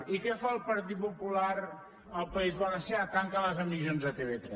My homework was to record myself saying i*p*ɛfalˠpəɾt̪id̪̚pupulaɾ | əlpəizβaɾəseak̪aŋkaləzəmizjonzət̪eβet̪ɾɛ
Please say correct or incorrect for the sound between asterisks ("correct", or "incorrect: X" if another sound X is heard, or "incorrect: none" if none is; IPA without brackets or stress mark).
incorrect: k